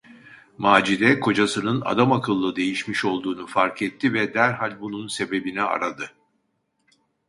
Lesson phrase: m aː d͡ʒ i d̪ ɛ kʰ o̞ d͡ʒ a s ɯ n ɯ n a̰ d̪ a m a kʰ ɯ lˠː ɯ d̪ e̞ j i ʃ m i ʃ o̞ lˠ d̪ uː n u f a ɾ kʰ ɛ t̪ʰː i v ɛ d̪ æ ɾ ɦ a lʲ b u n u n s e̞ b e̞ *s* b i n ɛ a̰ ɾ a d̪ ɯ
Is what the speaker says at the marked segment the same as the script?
no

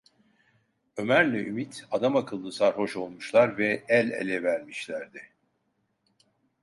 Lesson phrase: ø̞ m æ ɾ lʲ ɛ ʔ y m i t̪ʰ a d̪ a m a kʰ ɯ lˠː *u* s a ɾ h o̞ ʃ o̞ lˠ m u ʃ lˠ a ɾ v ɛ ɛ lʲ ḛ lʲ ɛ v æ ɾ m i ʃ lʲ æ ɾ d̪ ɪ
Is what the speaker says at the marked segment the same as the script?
no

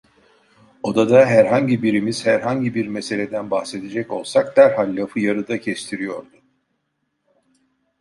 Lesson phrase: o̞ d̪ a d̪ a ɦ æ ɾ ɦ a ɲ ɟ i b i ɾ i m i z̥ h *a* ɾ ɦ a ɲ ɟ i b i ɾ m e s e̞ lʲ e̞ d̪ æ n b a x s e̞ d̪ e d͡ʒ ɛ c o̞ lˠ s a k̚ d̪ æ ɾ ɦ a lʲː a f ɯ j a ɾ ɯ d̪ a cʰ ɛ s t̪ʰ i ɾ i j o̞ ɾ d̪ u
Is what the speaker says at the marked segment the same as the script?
no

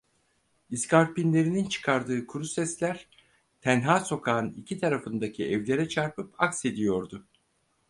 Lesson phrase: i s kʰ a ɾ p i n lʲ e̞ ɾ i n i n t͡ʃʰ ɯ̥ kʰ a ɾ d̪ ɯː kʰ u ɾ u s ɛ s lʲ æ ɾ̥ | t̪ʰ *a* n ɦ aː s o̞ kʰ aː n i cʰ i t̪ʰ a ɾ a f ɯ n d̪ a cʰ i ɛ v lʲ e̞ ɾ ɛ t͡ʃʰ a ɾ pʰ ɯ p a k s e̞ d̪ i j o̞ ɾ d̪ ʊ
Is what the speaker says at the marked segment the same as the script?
no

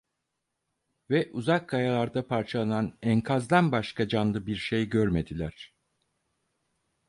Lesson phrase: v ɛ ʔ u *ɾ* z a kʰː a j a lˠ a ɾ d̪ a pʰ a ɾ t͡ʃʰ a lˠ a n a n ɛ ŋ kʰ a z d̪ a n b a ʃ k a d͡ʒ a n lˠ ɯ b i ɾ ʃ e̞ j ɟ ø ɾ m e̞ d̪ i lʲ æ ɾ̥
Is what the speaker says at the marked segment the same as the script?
no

